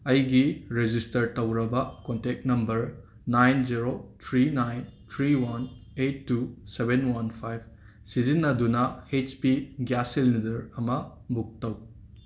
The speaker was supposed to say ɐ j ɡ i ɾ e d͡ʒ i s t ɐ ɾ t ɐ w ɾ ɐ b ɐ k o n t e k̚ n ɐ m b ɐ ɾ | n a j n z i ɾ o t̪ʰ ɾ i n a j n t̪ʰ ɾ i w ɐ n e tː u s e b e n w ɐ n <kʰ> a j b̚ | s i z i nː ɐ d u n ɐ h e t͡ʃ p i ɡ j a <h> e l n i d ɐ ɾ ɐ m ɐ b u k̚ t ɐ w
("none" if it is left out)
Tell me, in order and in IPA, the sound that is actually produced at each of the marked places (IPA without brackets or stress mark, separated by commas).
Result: pʰ, s